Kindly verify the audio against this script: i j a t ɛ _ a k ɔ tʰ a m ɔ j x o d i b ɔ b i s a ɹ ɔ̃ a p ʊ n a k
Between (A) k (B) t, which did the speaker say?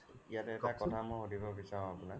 B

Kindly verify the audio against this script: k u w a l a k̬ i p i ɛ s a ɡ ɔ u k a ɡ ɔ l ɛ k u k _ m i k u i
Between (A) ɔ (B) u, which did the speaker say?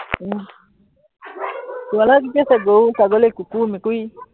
B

